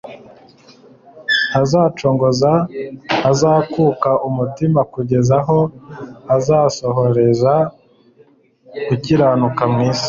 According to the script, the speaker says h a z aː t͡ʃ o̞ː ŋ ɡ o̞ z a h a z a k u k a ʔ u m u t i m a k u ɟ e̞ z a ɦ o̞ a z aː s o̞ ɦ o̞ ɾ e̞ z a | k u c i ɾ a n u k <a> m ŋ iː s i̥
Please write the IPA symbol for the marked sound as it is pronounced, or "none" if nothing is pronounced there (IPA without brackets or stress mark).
a